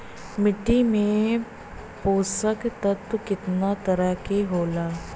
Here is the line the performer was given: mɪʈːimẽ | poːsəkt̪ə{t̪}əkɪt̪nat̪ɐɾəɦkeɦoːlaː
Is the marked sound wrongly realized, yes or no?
no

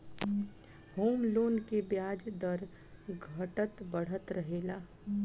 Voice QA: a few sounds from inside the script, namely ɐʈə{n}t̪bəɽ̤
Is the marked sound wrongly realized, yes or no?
yes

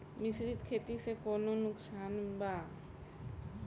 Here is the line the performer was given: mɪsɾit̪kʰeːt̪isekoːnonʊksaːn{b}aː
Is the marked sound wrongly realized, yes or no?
no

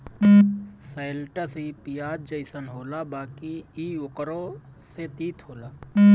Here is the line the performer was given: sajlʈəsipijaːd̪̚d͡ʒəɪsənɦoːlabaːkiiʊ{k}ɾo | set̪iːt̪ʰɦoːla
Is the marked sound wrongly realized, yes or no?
no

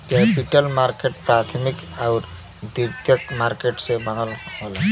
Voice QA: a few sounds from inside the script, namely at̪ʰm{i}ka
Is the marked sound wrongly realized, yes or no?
no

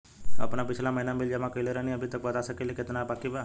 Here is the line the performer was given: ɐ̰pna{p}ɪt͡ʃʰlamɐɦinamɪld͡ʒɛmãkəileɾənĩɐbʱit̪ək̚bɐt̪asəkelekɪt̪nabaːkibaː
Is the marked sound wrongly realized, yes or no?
no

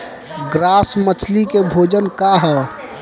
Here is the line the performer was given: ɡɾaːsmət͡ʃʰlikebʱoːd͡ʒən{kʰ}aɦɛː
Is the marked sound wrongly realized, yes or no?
yes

